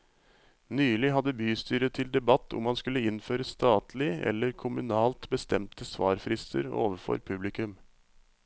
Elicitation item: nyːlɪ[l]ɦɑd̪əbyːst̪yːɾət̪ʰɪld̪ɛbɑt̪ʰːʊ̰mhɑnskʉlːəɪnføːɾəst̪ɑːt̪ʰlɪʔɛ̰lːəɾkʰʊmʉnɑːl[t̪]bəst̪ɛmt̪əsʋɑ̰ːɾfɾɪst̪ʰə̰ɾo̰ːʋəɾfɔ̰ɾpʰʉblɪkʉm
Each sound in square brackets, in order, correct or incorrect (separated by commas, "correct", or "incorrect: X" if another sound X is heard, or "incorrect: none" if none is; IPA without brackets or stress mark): incorrect: none, correct